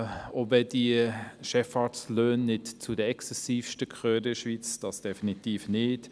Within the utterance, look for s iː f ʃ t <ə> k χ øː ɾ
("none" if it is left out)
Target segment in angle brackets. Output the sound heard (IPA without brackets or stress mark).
ə